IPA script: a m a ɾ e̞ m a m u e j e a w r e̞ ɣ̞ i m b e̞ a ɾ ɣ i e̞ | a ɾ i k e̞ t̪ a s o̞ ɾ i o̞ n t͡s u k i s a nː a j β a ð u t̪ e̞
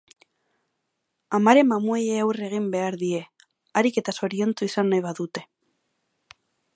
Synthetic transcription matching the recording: a m a ɾ e̞ m a m u e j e a w r e̞ ɣ̞ i m b e̞ a ɾ ð i e̞ | a ɾ i k e̞ t̪ a s o̞ ɾ i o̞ n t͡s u i s a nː a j β a ð u t̪ e̞